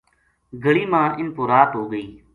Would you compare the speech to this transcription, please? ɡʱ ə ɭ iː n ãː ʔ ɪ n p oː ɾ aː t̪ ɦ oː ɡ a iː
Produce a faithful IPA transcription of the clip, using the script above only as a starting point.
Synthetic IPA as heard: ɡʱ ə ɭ iː m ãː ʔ ɪ n p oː ɾ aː t̪ ɦ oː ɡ ə iː